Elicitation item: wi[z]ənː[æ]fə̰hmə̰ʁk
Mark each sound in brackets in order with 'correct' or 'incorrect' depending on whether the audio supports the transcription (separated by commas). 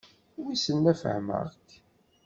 incorrect, correct